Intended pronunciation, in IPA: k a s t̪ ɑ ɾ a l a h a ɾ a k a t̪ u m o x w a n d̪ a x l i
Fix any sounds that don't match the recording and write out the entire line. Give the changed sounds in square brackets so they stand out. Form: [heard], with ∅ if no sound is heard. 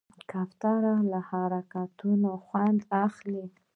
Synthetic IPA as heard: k a [f] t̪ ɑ ɾ a l a h a ɾ a k a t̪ u [n] o x w a n d̪ a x l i

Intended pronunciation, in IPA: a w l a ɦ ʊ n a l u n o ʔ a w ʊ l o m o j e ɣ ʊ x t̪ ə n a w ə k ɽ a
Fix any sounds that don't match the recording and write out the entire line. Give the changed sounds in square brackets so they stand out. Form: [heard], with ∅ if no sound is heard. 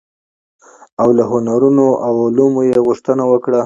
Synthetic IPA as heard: a w l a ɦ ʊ n a [ɾ] u n o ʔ a w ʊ l [u] m o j e ɣ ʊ [ʂ] t̪ ə n a w ə k ɽ a

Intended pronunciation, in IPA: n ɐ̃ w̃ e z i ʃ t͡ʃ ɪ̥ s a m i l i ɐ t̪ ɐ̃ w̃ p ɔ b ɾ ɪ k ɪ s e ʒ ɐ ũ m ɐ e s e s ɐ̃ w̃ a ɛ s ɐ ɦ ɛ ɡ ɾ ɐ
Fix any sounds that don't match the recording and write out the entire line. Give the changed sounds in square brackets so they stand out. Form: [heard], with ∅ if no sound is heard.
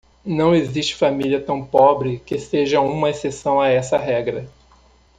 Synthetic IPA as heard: n ɐ̃ w̃ e z i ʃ t͡ʃ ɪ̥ [f] a m i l i ɐ t̪ ɐ̃ w̃ p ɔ b ɾ ɪ k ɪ s e ʒ ɐ ũ m ɐ e s e s ɐ̃ w̃ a ɛ s ɐ ɦ ɛ ɡ ɾ ɐ

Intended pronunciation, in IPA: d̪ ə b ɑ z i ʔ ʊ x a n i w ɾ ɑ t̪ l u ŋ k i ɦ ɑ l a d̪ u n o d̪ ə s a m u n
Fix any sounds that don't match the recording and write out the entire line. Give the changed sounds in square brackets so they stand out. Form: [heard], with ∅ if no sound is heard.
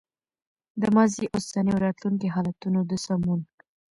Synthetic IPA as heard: d̪ ə [m] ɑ z i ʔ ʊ [s] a n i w ɾ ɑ t̪ l u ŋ k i ɦ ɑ l a [t̪] u n o d̪ ə s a m u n

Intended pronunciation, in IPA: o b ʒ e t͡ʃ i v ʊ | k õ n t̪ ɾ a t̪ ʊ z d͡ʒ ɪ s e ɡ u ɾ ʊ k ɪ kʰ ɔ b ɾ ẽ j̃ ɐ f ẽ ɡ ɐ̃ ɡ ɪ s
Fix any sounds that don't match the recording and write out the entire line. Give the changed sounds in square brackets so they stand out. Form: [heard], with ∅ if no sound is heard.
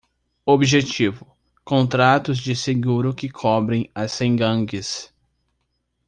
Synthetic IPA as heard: o b ʒ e t͡ʃ i v ʊ | k õ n t̪ ɾ a t̪ ʊ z d͡ʒ ɪ s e ɡ u ɾ ʊ k ɪ kʰ ɔ b ɾ ẽ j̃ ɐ [s] ẽ ɡ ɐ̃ ɡ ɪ s

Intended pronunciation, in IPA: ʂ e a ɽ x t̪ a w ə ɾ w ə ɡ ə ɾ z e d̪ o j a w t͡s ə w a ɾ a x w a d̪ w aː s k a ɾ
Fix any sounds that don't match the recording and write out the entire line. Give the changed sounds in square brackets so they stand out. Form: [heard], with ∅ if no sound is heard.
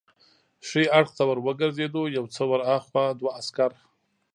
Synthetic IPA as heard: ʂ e a ɽ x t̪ a w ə ɾ w ə ɡ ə ɾ z e d̪ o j a w t͡s ə w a ɾ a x w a d̪ w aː s k a ɾ

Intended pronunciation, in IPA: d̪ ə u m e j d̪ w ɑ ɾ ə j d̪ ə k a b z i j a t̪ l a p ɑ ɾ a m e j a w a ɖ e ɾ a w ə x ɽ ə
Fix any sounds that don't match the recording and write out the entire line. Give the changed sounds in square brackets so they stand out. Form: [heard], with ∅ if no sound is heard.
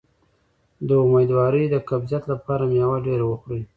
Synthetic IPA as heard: d̪ ə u m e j d̪ w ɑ ɾ ə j d̪ ə k a b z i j a t̪ l a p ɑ ɾ a m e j a w a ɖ e ɾ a w ə x ɽ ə

